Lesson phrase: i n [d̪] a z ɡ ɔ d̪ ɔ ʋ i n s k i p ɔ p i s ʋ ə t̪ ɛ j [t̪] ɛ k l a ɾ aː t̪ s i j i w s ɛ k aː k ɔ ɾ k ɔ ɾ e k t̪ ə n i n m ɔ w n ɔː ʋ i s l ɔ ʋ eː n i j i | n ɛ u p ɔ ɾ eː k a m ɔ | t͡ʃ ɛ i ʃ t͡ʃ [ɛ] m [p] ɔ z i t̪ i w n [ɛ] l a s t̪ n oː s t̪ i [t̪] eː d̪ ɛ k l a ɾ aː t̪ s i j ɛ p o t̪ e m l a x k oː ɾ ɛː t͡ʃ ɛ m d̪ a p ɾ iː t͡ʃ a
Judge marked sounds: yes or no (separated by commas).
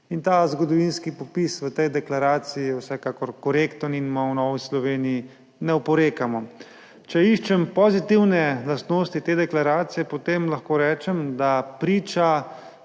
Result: no, no, yes, yes, yes, yes